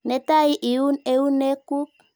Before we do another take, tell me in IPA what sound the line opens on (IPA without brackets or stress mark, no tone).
n